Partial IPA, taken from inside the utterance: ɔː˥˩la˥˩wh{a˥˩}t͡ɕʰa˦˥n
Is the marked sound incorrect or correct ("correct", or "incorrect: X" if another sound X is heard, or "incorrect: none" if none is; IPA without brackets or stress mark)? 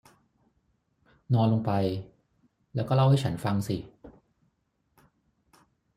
correct